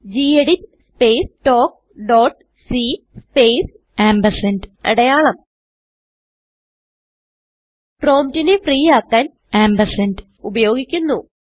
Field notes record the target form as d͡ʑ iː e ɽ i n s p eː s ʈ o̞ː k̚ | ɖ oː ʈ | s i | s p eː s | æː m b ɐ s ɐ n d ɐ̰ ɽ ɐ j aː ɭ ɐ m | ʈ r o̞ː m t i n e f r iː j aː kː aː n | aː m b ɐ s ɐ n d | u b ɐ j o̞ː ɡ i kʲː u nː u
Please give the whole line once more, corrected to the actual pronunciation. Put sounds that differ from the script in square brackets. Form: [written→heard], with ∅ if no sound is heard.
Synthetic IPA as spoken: d͡ʑ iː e ɽ i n s p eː s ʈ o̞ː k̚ | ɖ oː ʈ | s i | s p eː s | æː m b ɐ s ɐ n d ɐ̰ ɽ ɐ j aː ɭ ɐ m | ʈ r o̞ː m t i n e f r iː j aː kː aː n | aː m b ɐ s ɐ n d | u b ɐ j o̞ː ɡ i kʲː u nː u